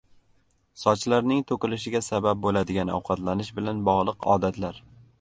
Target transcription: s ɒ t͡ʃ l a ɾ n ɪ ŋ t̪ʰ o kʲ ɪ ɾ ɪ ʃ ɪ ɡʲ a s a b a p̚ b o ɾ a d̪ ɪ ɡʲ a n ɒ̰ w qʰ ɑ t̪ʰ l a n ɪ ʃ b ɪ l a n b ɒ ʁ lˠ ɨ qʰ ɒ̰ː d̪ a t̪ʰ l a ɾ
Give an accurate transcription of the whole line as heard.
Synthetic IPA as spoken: s ɒ t͡ʃ l a ɾ n ɪ ŋ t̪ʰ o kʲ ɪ l ɪ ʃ ɪ ɡʲ a s a b a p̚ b o l a d̪ ɪ ɡʲ a n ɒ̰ w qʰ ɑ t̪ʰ l a n ɪ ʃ b ɪ l a n b ɒ ʁ lˠ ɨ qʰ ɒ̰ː d̪ a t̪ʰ l a ɾ